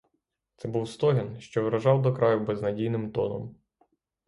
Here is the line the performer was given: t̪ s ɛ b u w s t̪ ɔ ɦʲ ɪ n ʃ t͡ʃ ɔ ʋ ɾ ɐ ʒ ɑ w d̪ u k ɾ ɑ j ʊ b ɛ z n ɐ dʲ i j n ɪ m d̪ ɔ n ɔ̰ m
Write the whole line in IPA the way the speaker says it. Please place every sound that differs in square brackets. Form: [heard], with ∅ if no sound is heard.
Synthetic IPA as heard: t̪ s ɛ b u w s t̪ ɔ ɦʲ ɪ n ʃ t͡ʃ ɔ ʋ ɾ ɐ ʒ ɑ w d̪ [ɔ] k ɾ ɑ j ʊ b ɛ z n ɐ dʲ i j n ɪ m [t̪] ɔ n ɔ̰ m